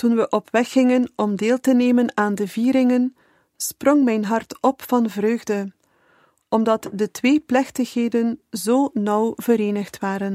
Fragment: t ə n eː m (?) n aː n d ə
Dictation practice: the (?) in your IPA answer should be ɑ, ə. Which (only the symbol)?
ə